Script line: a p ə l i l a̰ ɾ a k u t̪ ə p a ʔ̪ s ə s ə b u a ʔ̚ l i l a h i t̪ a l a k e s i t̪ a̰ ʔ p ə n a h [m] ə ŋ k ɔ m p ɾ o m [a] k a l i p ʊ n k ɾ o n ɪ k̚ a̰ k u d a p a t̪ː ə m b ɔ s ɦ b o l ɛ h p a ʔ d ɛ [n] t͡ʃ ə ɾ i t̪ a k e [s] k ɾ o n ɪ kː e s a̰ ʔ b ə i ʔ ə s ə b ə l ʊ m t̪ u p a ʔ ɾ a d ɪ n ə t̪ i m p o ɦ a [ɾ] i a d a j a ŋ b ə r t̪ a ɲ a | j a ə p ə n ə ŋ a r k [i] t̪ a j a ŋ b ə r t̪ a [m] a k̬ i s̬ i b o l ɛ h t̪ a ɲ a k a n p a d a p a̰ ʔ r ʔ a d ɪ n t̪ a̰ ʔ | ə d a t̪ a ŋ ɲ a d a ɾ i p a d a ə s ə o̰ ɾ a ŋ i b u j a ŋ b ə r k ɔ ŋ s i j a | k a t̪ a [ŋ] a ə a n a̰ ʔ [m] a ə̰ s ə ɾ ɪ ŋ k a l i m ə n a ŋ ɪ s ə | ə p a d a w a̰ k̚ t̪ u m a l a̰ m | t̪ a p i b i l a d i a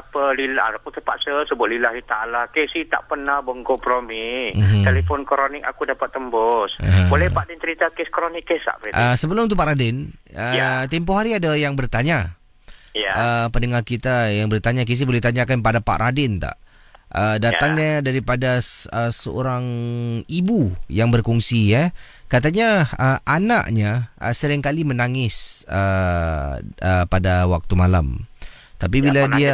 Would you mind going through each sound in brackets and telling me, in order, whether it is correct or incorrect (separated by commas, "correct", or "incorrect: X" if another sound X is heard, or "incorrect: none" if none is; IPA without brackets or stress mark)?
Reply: incorrect: b, incorrect: i, correct, correct, correct, correct, incorrect: ɲ, incorrect: ɲ, incorrect: ɲ